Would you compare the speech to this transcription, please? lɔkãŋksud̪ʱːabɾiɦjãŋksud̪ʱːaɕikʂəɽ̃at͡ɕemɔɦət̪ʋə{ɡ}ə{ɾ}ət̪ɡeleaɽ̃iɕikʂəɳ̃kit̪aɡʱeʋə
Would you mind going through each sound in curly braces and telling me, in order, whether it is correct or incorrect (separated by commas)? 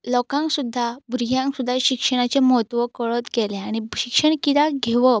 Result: incorrect, incorrect